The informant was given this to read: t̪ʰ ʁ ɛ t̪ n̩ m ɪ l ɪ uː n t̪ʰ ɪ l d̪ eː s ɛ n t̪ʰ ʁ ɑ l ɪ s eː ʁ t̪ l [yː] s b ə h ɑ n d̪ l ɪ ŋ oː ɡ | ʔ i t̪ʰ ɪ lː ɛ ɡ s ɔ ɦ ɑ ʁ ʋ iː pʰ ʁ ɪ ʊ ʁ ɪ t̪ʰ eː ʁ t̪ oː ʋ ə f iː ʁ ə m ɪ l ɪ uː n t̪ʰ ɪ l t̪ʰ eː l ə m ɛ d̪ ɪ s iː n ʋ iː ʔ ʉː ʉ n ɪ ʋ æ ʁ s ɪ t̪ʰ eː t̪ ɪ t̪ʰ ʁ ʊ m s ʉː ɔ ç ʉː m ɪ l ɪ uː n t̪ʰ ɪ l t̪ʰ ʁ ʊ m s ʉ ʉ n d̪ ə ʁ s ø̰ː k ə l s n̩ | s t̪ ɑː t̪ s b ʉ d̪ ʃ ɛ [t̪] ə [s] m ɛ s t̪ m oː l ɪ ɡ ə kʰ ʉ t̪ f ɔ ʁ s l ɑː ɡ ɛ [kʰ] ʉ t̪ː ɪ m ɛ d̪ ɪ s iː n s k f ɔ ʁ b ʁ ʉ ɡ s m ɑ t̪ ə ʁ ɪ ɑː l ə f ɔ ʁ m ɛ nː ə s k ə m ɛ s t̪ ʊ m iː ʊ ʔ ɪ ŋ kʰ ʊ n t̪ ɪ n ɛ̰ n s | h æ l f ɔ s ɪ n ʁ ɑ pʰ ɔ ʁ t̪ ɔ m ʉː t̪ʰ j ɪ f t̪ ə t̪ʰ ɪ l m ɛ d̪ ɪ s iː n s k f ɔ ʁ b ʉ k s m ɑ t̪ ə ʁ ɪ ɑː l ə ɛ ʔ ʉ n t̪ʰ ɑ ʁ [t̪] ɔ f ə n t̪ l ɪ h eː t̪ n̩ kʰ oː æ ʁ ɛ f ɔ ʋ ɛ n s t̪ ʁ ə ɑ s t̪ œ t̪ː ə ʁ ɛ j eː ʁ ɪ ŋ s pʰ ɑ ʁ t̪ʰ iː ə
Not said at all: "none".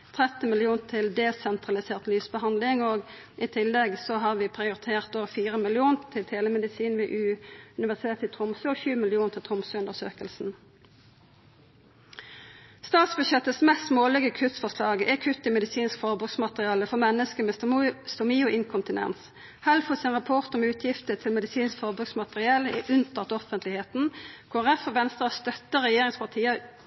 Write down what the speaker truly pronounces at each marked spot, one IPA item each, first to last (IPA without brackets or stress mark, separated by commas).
yː, t̪, s, kʰ, t̪